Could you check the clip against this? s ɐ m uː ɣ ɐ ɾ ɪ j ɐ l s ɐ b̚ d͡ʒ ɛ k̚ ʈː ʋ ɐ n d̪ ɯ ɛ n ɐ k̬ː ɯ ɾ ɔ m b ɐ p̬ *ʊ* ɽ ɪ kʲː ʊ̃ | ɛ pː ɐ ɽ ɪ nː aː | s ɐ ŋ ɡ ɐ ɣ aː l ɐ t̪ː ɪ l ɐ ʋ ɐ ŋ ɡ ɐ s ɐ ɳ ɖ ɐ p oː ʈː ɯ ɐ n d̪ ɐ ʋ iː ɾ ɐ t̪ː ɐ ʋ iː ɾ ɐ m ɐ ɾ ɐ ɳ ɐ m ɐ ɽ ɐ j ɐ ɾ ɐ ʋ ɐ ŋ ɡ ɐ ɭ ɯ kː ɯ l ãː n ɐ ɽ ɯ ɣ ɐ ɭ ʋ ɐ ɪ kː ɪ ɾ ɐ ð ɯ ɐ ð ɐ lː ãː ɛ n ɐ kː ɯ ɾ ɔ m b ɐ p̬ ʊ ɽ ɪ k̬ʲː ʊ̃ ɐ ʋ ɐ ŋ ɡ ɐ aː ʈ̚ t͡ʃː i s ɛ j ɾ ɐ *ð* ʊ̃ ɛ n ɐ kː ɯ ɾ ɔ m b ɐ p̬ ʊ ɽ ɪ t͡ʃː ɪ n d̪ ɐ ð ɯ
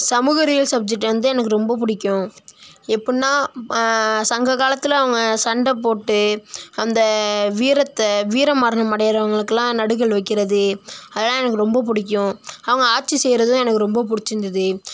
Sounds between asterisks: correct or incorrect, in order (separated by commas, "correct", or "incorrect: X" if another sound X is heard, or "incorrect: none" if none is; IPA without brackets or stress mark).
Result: correct, correct